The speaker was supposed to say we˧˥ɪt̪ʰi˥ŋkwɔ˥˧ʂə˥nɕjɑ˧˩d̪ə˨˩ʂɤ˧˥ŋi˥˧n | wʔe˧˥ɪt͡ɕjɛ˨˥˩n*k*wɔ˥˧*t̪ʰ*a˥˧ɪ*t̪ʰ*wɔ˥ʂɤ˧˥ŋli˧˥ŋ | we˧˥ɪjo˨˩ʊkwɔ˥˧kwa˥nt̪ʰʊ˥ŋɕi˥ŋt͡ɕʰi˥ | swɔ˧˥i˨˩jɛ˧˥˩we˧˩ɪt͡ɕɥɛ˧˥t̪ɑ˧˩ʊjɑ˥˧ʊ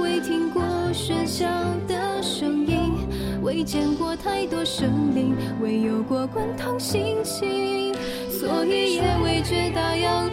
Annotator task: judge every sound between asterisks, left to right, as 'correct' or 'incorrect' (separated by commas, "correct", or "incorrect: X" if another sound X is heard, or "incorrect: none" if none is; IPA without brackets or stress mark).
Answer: correct, correct, incorrect: t̪